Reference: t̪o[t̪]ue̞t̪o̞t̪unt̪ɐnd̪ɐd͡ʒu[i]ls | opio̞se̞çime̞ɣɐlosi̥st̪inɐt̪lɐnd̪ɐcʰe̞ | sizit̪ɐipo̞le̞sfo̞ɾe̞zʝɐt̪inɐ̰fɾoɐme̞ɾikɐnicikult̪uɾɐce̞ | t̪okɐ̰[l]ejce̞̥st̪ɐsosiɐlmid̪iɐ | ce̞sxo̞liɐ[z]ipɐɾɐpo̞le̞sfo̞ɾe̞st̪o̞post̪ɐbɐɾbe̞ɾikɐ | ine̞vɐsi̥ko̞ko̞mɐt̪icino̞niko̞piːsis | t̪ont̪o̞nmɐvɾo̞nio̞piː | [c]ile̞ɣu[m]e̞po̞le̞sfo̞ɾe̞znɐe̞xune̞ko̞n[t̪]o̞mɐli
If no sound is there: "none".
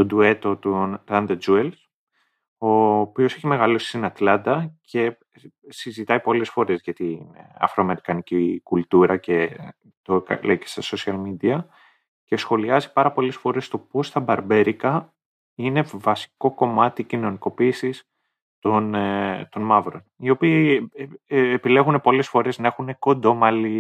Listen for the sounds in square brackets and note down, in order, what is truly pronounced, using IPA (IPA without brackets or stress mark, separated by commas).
d̪, e, l, z, p, n, d̪